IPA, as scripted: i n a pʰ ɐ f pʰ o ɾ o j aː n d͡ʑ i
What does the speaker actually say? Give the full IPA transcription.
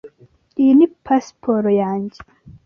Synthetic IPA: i n i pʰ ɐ s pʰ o ɾ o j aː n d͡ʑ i